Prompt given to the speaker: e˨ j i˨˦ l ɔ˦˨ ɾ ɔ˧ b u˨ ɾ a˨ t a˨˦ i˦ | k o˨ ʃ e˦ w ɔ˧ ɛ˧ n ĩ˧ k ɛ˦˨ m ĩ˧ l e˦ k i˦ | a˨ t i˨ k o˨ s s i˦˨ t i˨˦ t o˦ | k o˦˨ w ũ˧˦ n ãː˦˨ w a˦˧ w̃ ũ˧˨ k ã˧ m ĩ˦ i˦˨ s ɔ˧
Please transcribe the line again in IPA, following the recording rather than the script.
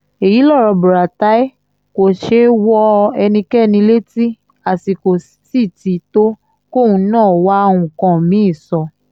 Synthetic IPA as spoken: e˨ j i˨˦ l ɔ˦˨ ɾ ɔ˧ b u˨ ɾ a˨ t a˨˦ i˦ | k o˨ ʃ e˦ w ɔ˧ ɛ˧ n ĩ˧ k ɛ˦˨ n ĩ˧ l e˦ t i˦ | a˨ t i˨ k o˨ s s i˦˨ t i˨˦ t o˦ | k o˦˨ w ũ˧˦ n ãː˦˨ w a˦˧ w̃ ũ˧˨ k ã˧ m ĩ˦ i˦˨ s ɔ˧

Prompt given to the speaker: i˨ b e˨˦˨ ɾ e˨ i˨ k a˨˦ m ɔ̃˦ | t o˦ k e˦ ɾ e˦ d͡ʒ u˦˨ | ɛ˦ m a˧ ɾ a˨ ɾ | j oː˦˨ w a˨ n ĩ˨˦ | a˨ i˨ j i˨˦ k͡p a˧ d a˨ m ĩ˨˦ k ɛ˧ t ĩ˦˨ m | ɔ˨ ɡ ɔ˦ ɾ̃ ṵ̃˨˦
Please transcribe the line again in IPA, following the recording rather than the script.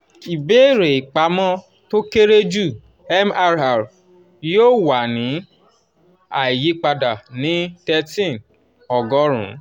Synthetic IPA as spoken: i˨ b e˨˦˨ ɾ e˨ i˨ k͡p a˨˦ m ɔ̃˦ | t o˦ k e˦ ɾ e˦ d͡ʒ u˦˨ | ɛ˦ m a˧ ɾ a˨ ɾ | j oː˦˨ w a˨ n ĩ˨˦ | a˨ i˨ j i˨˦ k͡p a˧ d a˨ n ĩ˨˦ t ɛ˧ t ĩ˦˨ n | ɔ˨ ɡ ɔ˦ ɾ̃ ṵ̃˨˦

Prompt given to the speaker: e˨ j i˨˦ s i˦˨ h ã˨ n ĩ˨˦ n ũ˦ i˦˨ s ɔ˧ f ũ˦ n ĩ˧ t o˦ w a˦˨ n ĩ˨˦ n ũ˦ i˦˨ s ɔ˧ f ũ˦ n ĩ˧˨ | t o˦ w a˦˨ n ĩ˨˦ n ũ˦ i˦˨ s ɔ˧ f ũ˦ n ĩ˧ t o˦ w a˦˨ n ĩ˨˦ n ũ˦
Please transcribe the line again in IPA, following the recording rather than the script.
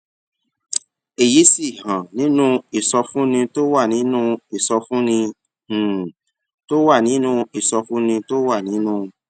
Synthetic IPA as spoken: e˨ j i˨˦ s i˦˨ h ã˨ n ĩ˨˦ n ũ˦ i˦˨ s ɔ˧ f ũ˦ n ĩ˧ t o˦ w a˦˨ n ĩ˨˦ n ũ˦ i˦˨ s ɔ˧ f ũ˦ n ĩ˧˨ | t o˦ w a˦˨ n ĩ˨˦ n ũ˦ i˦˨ s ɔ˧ f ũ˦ n ĩ˧ t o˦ w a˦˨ n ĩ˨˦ n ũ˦

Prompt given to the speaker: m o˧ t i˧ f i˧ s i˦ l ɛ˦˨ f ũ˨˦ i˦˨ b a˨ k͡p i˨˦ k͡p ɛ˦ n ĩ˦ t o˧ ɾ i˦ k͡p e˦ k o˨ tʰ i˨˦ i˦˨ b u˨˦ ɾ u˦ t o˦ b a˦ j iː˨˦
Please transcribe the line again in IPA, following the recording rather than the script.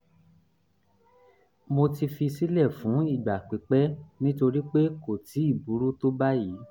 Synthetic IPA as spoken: m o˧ t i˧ f i˧ s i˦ l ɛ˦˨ f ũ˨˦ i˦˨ ɡ͡b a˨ k͡p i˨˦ k͡p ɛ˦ n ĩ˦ t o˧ ɾ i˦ k͡p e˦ k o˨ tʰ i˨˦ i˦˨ b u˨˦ ɾ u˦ t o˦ b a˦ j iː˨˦

